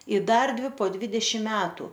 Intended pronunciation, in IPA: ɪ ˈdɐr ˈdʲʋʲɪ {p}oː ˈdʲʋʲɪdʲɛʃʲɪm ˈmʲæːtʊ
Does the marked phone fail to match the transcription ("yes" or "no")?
no